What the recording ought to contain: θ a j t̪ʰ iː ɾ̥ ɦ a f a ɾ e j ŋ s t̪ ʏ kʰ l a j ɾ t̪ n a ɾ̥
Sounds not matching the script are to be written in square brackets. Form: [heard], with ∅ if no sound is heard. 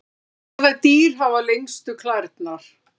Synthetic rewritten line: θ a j [t̪] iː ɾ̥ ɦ a [v] a [l] e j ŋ s t̪ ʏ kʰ l a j ɾ t̪ n a ɾ̥